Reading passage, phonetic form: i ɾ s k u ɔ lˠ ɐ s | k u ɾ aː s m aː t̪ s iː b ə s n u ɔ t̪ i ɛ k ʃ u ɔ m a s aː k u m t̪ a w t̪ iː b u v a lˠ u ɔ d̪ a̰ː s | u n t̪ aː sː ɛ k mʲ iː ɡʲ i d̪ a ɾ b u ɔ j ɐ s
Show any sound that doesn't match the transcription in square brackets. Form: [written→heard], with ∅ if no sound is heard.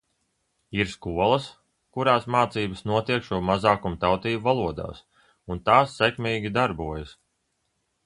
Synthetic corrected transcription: i ɾ s k u ɔ lˠ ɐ s | k u ɾ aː s m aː t̪ s iː b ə s n u ɔ t̪ i ɛ k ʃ u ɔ m a [s→z] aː k u m t̪ a w t̪ iː b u v a lˠ u ɔ d̪ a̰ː s | u n t̪ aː sː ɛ k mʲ iː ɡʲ i d̪ a ɾ b u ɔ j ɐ s